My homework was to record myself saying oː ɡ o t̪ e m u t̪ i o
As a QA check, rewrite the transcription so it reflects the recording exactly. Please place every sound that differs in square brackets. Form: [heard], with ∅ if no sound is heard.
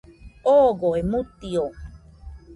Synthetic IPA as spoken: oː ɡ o [∅] e m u t̪ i o